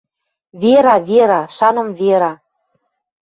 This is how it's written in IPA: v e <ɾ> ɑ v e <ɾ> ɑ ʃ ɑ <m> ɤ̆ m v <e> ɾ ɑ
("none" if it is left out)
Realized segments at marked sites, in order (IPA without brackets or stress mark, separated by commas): ɾ, ɾ, n, e